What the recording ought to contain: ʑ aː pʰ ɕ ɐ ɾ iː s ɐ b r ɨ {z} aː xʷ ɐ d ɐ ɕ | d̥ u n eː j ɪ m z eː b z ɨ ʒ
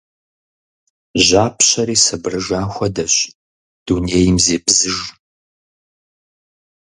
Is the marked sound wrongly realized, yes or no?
yes